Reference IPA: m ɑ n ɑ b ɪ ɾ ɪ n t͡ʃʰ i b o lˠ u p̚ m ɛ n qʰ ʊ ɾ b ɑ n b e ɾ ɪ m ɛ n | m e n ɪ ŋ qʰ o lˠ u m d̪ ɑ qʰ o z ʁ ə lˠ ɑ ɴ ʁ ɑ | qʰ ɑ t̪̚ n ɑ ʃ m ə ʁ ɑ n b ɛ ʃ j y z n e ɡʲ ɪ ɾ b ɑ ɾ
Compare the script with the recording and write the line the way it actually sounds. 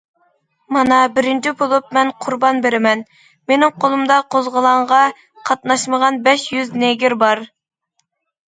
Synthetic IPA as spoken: m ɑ n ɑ b ɪ ɾ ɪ n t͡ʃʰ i b o lˠ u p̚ m ɛ n qʰ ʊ ɾ b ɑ n b e ɾ ɪ m ɛ n | m e n ɪ ŋ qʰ o lˠ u m d̪ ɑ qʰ o z ʁ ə lˠ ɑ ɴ ʁ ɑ | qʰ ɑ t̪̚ n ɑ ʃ m ə ʁ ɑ n b ɛ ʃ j y z n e ɡʲ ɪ ɾ b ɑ ɾ